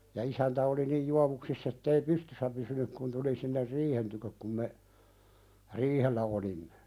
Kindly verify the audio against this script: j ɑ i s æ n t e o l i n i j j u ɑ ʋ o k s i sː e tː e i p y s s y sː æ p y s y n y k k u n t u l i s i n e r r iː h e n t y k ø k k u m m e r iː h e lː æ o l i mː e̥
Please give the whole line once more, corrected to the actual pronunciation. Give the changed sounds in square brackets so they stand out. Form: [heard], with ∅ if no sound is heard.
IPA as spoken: j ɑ i s æ n t [æ] o l i n i j j u ɑ ʋ [u] k s i sː e tː e i p y s [t] y sː æ p y s y n y k k u n t u l i s i [nː] e r r iː h e n t y k ø k k u m m e r iː h e lː æ o l i mː e̥